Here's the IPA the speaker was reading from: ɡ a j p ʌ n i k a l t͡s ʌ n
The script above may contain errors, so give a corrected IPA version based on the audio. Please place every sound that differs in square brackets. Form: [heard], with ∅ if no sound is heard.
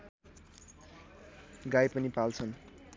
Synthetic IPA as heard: ɡ a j p ʌ n i [p] a l [t͡sʰ] ʌ n